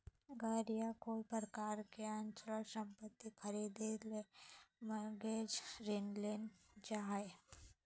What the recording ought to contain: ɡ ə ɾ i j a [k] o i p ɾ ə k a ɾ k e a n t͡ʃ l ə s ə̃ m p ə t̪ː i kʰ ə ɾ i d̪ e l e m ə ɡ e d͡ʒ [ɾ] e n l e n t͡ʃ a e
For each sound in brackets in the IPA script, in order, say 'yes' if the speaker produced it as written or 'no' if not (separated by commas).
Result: yes, yes